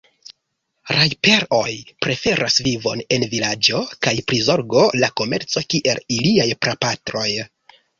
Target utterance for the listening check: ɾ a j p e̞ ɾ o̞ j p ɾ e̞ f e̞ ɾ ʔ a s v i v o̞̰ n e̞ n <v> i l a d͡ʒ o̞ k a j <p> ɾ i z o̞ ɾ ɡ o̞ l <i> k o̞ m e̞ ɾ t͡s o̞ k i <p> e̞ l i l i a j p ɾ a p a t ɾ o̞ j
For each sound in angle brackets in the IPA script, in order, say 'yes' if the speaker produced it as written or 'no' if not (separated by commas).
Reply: yes, yes, no, no